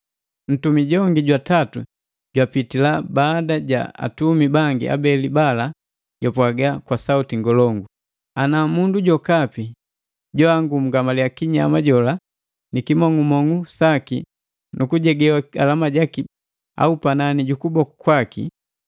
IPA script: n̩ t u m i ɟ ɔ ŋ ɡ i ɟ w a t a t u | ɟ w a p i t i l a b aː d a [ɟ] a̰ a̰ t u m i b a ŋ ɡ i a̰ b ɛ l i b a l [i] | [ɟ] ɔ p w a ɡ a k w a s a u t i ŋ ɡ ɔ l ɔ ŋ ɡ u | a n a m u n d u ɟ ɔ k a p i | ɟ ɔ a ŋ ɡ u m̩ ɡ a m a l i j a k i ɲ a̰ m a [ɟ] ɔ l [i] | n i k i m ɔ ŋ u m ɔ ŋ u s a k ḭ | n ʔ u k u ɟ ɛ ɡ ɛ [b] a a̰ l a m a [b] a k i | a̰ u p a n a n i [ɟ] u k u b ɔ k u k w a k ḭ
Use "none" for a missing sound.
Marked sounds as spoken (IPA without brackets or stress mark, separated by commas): ɟ, a, ɟ, ɟ, a, w, ɟ, ɟ